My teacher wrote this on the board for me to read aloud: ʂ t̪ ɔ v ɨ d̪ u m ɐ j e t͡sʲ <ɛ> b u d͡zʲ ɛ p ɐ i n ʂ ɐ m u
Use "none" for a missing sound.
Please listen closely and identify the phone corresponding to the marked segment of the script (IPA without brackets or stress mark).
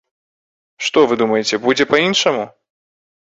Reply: ɛ